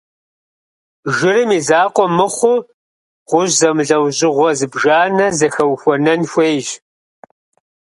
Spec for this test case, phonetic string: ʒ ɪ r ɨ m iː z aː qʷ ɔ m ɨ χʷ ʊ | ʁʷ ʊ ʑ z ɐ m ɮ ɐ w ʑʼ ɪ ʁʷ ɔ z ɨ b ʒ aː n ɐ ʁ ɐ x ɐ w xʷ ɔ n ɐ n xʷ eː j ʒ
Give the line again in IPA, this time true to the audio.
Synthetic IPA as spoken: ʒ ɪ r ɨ m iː z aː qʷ ɔ m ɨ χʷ ʊ | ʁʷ ʊ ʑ z ɐ m ɮ ɐ w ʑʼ ɪ ʁʷ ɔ z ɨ b ʒ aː n ɐ z ɐ x ɐ w xʷ ɔ n ɐ n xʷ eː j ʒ